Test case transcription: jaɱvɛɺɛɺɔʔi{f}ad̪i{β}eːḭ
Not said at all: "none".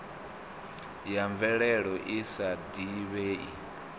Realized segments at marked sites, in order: s, β

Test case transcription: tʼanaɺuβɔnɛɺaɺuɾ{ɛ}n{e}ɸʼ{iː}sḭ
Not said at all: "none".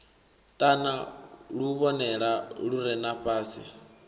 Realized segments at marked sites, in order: ɛ, a, aː

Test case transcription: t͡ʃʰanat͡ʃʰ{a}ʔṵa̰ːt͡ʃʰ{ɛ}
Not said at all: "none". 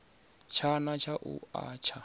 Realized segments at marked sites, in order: a, a

